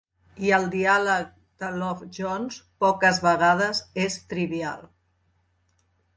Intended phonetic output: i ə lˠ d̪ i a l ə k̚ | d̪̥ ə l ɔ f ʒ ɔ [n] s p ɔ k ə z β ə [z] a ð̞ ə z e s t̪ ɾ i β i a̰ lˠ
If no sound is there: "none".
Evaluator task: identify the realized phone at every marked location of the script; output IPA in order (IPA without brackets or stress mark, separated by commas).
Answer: n, ɣ